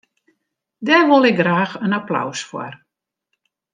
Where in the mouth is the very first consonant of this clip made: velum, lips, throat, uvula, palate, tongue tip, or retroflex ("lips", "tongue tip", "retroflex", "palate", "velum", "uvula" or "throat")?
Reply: tongue tip